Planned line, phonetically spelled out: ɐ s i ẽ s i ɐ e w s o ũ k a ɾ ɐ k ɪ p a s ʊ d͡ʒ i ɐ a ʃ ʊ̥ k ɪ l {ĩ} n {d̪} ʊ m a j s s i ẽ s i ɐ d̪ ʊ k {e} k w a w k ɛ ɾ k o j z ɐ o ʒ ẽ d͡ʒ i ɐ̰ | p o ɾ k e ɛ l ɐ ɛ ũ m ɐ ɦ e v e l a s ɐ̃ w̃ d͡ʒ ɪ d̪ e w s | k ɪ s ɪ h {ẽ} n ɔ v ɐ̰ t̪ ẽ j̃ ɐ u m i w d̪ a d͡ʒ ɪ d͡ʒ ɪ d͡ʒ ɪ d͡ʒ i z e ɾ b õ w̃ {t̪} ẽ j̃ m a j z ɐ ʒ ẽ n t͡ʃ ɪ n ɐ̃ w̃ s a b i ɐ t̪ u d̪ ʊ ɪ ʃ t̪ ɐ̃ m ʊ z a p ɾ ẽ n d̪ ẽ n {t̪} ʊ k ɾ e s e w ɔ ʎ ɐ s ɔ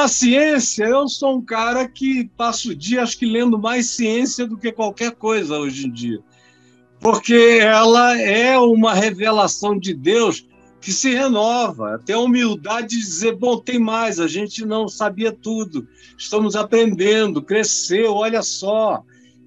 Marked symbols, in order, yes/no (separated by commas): no, yes, yes, no, yes, no